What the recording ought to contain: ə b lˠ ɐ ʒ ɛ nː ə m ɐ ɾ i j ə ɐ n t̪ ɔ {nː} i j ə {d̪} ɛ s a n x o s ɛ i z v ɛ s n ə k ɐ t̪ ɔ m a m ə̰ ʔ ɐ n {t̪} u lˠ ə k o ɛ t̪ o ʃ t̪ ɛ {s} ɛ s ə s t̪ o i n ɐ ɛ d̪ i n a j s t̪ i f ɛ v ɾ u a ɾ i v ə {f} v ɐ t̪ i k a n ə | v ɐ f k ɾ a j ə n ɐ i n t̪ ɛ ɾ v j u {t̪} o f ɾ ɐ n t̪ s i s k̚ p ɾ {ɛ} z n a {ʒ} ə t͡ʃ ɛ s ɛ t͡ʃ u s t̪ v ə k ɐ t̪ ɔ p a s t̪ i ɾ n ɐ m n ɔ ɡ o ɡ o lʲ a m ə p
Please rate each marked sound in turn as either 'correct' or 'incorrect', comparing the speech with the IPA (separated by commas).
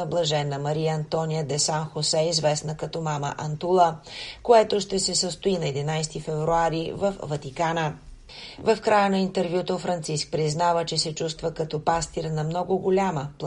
incorrect, correct, correct, correct, correct, correct, incorrect, incorrect